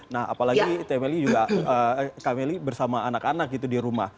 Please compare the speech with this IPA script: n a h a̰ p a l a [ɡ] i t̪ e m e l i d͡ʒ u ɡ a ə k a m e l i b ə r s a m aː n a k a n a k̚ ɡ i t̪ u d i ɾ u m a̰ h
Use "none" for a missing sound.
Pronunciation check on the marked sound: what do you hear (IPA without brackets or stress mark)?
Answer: ɡ